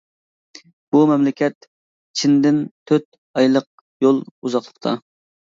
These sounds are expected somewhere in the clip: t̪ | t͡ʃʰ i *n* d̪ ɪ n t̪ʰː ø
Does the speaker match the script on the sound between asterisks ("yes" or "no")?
yes